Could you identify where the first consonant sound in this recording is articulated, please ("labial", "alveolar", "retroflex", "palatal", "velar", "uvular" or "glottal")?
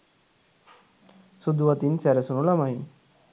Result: alveolar